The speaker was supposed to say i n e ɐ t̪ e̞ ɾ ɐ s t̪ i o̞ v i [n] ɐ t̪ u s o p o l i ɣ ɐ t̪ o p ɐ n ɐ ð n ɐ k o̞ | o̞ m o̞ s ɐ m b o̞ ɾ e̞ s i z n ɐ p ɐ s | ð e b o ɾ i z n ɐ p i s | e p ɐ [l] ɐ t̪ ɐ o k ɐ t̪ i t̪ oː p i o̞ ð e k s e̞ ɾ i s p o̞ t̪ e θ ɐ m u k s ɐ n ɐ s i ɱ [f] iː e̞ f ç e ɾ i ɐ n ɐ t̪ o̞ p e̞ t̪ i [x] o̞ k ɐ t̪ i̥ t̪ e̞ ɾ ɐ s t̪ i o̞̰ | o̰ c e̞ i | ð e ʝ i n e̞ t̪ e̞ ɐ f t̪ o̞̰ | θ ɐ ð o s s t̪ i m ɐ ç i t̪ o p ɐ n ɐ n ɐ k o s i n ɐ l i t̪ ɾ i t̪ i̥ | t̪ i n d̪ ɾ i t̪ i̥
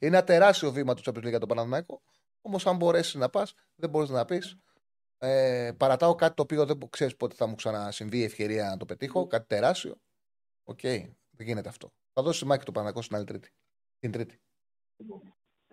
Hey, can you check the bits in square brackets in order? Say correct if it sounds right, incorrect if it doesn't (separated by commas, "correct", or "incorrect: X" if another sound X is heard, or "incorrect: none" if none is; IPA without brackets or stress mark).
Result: incorrect: m, incorrect: ɾ, incorrect: v, correct